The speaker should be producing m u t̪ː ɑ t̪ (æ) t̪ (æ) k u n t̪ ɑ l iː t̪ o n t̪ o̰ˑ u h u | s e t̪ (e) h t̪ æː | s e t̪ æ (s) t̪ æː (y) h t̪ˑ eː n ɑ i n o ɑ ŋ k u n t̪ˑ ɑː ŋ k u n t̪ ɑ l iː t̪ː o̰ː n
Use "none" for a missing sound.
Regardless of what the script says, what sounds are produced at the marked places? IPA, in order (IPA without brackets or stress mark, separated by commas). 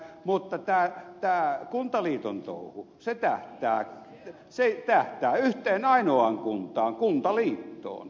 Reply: æː, æː, æ, h, y